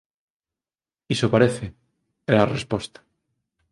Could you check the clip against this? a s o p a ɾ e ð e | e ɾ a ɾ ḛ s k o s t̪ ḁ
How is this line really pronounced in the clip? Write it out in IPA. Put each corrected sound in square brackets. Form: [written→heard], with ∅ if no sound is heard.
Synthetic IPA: [a→i] s o p a ɾ e [ð→θ] e | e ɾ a [ɾ→r] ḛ s [k→p] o s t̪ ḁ